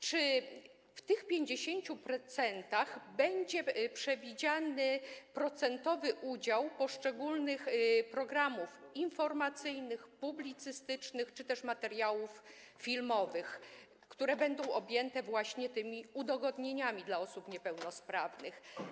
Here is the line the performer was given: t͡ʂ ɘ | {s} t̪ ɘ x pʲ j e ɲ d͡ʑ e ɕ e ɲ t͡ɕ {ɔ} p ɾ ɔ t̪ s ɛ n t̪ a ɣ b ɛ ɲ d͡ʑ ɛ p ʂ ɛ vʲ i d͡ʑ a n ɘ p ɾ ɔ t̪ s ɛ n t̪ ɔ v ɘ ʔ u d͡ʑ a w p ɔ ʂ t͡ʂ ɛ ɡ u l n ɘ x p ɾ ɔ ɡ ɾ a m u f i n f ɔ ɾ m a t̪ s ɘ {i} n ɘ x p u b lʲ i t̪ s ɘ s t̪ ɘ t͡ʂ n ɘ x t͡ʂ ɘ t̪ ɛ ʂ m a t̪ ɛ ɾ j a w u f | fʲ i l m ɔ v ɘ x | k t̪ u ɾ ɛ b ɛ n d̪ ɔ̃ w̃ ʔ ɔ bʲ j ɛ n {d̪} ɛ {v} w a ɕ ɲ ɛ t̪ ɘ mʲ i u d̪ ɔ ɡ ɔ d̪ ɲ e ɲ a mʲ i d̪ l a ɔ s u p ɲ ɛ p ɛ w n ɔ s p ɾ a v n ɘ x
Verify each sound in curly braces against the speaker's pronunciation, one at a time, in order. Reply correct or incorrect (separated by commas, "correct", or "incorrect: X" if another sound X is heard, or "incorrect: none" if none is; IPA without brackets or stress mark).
incorrect: f, incorrect: u, incorrect: j, incorrect: t̪, correct